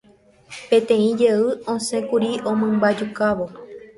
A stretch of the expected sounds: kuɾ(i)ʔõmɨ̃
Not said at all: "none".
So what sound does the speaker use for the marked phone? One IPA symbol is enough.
i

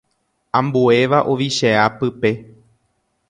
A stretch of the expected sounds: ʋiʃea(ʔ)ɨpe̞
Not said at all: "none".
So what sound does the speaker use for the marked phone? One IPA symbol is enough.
p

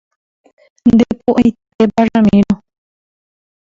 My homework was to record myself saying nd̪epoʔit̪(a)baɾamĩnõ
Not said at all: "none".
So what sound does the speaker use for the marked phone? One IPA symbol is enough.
e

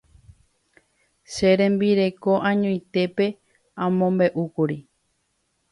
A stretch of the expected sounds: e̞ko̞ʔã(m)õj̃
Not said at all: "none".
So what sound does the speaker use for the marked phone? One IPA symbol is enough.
ɲ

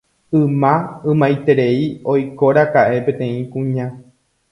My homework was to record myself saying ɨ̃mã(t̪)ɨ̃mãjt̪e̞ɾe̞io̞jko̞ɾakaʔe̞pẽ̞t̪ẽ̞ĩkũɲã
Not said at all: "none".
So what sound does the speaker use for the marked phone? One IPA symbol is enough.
none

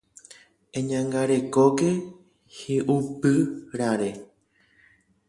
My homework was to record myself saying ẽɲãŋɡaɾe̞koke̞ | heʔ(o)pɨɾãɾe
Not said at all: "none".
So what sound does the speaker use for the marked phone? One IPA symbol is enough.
u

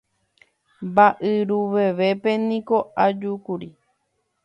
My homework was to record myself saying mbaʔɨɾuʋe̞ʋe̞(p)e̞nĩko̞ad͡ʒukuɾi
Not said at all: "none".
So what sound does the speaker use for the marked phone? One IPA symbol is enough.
p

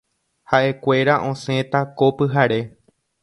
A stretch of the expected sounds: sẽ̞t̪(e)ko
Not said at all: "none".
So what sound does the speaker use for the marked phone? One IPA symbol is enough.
a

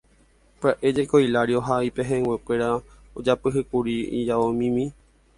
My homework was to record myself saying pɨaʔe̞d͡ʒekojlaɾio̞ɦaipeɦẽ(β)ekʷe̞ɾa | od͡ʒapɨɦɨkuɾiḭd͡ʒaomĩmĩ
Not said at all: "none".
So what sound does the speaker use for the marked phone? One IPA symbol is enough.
w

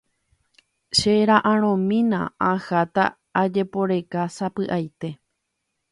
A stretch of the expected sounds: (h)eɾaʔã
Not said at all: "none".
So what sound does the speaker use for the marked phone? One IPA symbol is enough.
ʃ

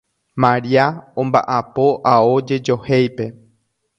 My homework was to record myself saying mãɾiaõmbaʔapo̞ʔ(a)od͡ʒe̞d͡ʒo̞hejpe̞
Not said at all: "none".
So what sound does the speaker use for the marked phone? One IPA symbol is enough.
a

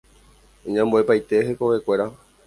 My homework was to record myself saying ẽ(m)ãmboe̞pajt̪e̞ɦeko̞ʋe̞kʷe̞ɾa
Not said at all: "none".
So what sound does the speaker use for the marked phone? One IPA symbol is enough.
ɲ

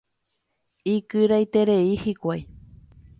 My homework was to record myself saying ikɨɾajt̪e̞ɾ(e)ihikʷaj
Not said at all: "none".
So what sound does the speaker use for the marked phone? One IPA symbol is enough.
e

